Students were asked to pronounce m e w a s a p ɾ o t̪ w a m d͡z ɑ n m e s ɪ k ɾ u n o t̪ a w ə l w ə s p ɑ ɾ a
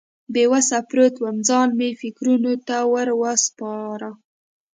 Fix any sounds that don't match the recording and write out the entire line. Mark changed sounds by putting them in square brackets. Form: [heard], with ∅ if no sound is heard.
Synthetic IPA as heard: [b] e w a s a p ɾ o t̪ w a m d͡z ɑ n m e [f] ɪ k ɾ u n o t̪ a w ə [ɾ] w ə s p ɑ ɾ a